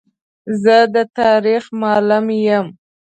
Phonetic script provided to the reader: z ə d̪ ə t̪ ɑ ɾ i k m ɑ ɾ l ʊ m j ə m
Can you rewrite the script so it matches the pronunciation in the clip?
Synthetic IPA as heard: z ə d̪ ə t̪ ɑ ɾ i x m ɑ l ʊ m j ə m